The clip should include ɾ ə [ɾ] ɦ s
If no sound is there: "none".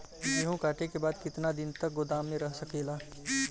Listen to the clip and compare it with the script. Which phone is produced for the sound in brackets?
none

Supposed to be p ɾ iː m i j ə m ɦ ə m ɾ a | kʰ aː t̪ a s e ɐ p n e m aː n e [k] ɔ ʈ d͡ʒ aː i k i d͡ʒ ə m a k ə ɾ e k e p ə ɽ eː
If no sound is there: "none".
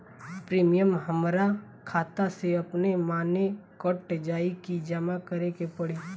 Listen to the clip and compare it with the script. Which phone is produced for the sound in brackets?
k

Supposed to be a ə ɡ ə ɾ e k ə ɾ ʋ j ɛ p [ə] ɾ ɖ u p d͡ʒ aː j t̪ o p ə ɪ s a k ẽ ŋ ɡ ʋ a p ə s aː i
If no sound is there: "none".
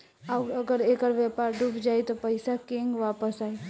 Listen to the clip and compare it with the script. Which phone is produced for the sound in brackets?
a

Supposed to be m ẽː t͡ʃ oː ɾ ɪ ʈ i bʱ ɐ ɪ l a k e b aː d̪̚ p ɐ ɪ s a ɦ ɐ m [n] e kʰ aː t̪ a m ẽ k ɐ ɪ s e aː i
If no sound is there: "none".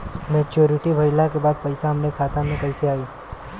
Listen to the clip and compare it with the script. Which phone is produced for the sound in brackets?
n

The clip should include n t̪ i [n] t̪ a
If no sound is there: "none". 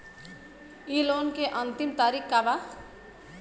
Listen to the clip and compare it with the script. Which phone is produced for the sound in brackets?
m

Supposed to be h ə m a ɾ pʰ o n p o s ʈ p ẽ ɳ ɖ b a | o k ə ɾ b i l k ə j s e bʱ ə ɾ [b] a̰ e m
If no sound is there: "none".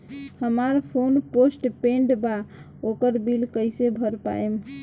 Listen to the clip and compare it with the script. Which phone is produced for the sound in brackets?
p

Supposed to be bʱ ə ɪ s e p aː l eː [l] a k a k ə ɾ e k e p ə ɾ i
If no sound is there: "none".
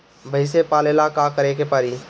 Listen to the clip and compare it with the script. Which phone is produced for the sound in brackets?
l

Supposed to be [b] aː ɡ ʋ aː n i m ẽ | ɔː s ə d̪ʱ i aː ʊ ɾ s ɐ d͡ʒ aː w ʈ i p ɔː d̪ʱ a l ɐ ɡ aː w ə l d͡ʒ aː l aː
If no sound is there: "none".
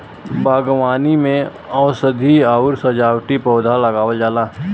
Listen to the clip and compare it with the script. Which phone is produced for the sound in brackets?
b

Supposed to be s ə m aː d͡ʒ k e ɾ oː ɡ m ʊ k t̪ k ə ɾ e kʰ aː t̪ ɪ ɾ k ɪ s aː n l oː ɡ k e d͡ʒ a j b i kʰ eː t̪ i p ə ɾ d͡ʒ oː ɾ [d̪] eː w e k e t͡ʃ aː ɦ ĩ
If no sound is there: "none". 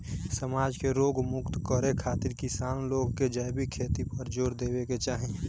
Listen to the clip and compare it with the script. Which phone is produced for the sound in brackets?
d̪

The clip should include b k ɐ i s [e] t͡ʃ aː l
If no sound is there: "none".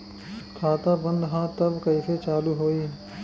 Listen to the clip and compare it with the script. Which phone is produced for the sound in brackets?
e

